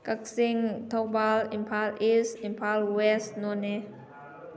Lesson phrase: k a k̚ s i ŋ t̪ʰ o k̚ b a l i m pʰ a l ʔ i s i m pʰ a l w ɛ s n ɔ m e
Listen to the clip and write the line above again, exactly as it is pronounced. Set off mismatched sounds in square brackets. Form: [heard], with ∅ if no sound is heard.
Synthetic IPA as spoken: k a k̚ s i ŋ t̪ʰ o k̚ b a l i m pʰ a l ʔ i s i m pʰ a l w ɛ s n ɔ [n] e